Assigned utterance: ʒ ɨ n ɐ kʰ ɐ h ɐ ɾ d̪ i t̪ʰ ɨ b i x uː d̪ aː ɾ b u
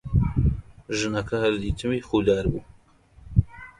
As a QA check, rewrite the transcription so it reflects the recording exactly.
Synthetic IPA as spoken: ʒ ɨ n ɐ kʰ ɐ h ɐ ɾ d̪ i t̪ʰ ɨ m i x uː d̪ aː ɾ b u